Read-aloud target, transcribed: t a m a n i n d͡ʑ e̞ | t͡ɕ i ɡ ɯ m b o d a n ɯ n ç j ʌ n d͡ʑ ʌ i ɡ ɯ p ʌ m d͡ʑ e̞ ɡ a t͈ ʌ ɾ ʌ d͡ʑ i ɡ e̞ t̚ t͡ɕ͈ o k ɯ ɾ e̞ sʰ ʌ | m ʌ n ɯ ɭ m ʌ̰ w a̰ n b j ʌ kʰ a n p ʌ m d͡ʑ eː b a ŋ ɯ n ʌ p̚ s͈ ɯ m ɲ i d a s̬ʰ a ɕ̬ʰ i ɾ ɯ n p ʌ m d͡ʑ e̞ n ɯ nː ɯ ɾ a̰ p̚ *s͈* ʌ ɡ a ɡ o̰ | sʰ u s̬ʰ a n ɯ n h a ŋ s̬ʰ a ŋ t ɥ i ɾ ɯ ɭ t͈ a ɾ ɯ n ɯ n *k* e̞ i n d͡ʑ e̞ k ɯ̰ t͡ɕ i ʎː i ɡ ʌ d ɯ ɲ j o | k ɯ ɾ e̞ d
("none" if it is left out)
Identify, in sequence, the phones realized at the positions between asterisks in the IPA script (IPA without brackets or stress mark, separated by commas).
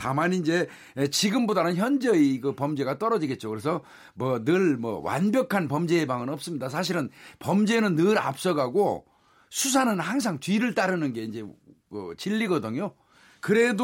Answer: s͈, ɡ